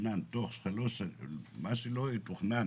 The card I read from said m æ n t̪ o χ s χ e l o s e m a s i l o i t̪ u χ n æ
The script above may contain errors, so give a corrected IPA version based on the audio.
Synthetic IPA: n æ n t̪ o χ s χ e l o s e m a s i l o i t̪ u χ n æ